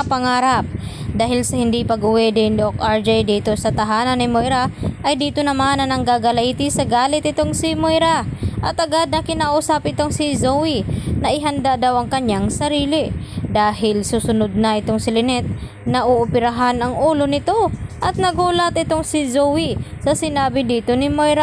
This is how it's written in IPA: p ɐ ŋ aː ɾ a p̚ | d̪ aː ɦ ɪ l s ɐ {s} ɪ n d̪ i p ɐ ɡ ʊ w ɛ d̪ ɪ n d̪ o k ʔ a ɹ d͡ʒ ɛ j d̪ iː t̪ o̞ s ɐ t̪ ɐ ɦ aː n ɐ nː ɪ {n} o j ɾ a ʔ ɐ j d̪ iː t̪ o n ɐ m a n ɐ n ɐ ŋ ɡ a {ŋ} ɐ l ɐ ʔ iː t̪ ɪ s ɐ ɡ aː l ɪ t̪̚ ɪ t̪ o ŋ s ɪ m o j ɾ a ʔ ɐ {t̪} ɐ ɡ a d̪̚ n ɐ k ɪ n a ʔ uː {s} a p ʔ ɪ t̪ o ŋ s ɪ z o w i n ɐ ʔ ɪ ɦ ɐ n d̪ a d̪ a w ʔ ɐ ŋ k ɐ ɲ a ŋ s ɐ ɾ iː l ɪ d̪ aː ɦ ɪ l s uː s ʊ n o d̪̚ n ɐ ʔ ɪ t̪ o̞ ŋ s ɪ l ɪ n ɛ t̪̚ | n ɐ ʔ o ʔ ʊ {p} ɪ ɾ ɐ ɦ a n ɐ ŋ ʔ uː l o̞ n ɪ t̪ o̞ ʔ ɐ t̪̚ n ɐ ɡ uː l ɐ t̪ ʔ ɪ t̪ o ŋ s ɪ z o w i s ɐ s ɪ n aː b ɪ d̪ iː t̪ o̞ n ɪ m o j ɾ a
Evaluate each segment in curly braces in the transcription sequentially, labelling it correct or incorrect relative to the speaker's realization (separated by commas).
incorrect, incorrect, incorrect, correct, correct, correct